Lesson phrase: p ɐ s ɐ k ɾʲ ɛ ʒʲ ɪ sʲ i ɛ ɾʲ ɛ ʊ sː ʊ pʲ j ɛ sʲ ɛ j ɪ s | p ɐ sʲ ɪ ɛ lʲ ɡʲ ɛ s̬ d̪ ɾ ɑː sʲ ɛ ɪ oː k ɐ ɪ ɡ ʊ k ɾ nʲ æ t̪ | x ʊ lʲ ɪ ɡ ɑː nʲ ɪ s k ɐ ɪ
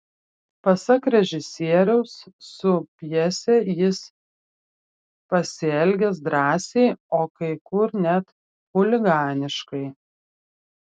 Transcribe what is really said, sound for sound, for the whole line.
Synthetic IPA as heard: p ɐ s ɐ k ɾʲ ɛ ʒʲ ɪ sʲ i ɛ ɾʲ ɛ ʊ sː ʊ pʲ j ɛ sʲ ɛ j ɪ s | p ɐ sʲ ɪ ɛ lʲ ɡʲ ɛ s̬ d̪ ɾ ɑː sʲ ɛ ɪ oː k ɐ ɪ k ʊ ɾ nʲ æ t̪ | x ʊ lʲ ɪ ɡ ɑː nʲ ɪ ʃ k ɐ ɪ

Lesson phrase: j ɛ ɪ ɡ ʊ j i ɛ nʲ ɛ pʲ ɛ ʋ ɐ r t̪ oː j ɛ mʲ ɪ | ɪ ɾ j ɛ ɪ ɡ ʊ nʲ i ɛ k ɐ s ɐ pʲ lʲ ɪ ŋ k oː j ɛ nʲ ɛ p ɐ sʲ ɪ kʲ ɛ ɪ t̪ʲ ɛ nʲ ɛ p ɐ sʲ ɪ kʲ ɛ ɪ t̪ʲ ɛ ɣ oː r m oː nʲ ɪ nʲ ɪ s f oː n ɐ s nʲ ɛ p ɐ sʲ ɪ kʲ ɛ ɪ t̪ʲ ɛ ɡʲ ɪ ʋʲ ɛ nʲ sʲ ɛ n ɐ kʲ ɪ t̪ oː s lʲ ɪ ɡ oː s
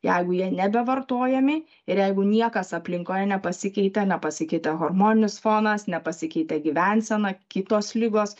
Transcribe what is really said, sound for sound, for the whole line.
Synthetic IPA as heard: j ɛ ɪ ɡ ʊ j i ɛ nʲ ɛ bʲ ɛ ʋ ɐ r t̪ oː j ɛ mʲ ɪ | ɪ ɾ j ɛ ɪ ɡ ʊ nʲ i ɛ k ɐ s ɐ pʲ lʲ ɪ ŋ k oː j ɛ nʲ ɛ p ɐ sʲ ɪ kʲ ɛ ɪ t̪ʲ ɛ nʲ ɛ p ɐ sʲ ɪ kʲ ɛ ɪ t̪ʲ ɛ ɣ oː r m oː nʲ ɪ nʲ ɪ s f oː n ɐ s nʲ ɛ p ɐ sʲ ɪ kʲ ɛ ɪ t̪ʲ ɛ ɡʲ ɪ ʋʲ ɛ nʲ sʲ ɛ n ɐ kʲ ɪ t̪ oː s lʲ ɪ ɡ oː s

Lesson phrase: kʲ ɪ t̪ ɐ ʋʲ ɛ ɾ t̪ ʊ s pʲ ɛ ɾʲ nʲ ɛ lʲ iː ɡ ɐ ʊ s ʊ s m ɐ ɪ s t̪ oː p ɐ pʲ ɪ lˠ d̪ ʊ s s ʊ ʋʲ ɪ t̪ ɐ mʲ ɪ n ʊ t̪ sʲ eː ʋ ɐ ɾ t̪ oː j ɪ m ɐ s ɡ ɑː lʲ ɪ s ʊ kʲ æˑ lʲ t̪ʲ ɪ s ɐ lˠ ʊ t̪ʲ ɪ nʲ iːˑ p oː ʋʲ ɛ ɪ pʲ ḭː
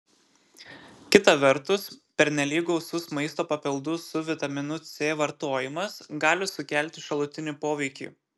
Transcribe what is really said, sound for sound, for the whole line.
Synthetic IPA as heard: kʲ ɪ t̪ ɐ ʋʲ ɛ ɾ t̪ ʊ s pʲ ɛ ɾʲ nʲ ɛ lʲ iː ɡ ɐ ʊ s ʊ s m ɐ ɪ s t̪ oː p ɐ pʲ ɪ lˠ d̪ ʊ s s ʊ ʋʲ ɪ t̪ ɐ mʲ ɪ n ʊ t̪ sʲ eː ʋ ɐ ɾ t̪ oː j ɪ m ɐ s ɡ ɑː lʲ ɪ s ʊ kʲ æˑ lʲ t̪ʲ ɪ ʃ ɐ lˠ ʊ t̪ʲ ɪ nʲ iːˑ p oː ʋʲ ɛ ɪ kʲ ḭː

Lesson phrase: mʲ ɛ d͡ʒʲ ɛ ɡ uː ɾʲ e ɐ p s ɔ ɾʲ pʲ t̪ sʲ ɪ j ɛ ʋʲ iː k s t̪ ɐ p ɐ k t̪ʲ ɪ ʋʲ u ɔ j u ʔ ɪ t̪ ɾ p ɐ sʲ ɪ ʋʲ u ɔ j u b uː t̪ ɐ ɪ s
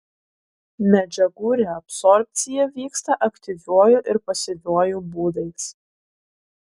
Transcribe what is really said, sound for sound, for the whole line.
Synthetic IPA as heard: mʲ ɛ d͡ʒʲ ɛ ɡ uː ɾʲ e ɐ p s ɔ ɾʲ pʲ t̪ sʲ ɪ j ɛ ʋʲ iː k s t̪ ɐ ʔ ɐ k t̪ʲ ɪ ʋʲ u ɔ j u ʔ ɪ ɾ p ɐ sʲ ɪ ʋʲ u ɔ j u b uː d̪ ɐ ɪ s

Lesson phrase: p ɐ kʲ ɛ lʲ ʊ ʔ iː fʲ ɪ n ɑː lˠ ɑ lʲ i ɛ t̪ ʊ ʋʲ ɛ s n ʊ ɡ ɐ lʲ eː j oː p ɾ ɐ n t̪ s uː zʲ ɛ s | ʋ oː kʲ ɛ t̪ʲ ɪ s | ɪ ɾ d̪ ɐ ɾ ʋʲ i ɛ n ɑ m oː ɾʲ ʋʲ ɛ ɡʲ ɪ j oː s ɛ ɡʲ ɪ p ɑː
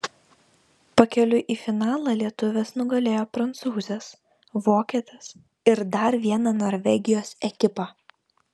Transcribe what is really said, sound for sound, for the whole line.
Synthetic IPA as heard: p ɐ kʲ ɛ lʲ ʊ ʔ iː fʲ ɪ n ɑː lˠ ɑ lʲ i ɛ t̪ ʊ ʋʲ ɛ s n ʊ ɡ ɐ lʲ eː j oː p ɾ ɐ n t̪ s uː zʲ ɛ s | ʋ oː kʲ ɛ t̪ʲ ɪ s | ɪ ɾ d̪ ɐ ɾ ʋʲ i ɛ n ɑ n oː ɾʲ ʋʲ ɛ ɡʲ ɪ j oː s ɛ kʲ ɪ p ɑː

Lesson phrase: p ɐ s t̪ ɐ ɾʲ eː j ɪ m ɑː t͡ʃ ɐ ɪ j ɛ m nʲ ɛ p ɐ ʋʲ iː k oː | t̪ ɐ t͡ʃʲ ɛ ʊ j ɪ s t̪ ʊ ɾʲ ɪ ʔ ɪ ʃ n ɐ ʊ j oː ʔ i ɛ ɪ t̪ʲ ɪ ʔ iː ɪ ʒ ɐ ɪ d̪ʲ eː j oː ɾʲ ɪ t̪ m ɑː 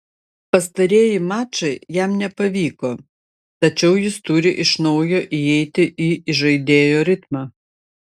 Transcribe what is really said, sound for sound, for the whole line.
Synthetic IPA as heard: p ɐ s t̪ ɐ ɾʲ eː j ɪ m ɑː t͡ʃ ɐ ɪ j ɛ m nʲ ɛ p ɐ ʋʲ iː k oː | t̪ ɐ t͡ʃʲ ɛ ʊ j ɪ s t̪ ʊ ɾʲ ɪ ʔ ɪ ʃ n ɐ ʊ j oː ʔ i ɛ ɪ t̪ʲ ɪ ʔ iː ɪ ʒ ɐ ɪ d̪ʲ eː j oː ɾʲ ɪ t̪ m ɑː

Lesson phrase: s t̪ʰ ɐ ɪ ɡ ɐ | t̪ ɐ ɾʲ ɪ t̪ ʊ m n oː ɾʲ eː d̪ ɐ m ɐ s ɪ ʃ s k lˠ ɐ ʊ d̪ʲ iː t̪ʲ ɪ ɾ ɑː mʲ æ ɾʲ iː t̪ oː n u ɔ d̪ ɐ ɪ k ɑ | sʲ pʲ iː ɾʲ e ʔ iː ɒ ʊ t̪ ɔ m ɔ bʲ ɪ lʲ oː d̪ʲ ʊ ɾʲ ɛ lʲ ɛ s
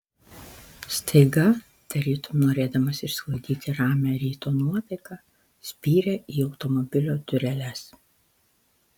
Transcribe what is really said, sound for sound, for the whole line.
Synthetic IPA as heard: s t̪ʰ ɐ ɪ ɡ ɐ | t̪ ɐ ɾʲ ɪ t̪ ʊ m n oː ɾʲ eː d̪ ɐ m ɐ s ɪ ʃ s k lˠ ɐ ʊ d̪ʲ iː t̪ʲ ɪ ɾ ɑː mʲ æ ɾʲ iː t̪ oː n u ɔ t̪ ɐ ɪ k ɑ | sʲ pʲ iː ɾʲ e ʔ iː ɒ ʊ t̪ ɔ m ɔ bʲ ɪ lʲ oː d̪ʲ ʊ ɾʲ ɛ lʲ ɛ s

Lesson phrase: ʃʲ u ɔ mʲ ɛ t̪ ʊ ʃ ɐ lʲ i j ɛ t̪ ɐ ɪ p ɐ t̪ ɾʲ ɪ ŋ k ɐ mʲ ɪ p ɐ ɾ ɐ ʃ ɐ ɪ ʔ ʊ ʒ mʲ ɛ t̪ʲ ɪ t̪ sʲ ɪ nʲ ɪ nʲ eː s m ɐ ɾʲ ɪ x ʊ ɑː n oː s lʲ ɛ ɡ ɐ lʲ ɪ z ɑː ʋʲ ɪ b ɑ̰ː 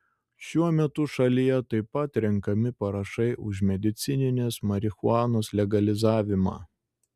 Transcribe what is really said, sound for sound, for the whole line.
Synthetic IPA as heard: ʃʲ u ɔ mʲ ɛ t̪ ʊ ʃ ɐ lʲ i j ɛ t̪ ɐ ɪ p ɐ t̪ ɾʲ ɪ ŋ k ɐ mʲ ɪ p ɐ ɾ ɐ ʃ ɐ ɪ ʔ ʊ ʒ mʲ ɛ d̪ʲ ɪ t̪ sʲ ɪ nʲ ɪ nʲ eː s m ɐ ɾʲ ɪ x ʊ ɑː n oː s lʲ ɛ ɡ ɐ lʲ ɪ z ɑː ʋʲ ɪ m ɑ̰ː

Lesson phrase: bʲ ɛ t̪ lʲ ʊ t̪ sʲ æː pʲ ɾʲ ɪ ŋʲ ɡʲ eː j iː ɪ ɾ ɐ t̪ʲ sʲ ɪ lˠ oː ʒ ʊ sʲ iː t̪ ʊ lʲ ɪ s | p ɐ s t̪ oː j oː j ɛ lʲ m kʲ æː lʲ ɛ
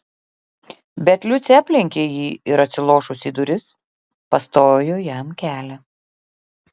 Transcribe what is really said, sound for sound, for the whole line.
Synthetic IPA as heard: bʲ ɛ t̪ lʲ ʊ t̪ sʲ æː pʲ lʲ ɪ ŋʲ kʲ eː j iː ɪ ɾ ɐ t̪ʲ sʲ ɪ lˠ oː ʃ ʊ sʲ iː d̪ ʊ ɾʲ ɪ s | p ɐ s t̪ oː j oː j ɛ m kʲ æː lʲ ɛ

